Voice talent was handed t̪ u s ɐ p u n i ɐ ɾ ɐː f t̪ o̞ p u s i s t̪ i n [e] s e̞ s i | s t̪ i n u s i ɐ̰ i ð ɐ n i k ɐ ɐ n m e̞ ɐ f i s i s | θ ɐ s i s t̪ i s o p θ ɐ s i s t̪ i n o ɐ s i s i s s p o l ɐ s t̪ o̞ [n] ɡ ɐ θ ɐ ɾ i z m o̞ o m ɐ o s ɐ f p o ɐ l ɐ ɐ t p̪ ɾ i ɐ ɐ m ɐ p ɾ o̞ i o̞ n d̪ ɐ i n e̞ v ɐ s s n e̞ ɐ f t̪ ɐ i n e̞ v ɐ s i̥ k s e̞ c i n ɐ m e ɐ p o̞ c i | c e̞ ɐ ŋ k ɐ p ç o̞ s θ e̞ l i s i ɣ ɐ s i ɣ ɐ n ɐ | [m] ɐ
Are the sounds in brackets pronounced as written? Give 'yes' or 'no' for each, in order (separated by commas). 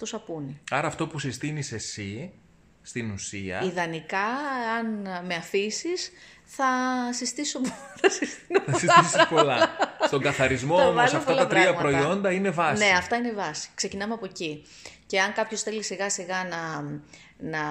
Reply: no, no, no